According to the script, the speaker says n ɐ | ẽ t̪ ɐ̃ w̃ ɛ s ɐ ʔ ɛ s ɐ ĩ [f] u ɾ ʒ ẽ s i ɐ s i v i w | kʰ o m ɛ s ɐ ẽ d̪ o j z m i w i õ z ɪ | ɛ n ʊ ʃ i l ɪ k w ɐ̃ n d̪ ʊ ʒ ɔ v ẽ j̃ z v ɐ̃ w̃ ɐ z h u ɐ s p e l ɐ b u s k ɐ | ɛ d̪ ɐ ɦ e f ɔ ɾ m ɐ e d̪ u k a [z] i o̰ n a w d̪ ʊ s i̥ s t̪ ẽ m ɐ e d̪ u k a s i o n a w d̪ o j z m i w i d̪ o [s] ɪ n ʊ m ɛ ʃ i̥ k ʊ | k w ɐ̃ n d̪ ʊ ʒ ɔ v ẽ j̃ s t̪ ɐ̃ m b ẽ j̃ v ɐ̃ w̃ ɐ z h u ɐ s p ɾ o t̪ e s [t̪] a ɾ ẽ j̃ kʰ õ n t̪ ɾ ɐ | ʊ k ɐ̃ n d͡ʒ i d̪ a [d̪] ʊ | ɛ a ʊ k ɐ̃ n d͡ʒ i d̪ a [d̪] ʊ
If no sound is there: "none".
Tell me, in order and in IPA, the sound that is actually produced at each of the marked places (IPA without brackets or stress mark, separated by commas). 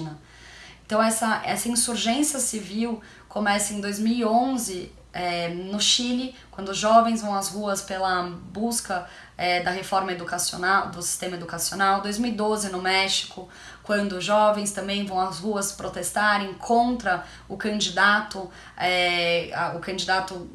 s, s, z, t̪, t̪, t̪